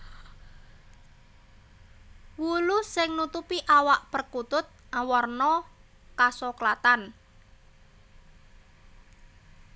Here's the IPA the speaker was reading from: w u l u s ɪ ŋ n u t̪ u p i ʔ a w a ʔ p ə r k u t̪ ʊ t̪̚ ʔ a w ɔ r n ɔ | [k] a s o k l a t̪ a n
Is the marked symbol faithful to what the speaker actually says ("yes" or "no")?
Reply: yes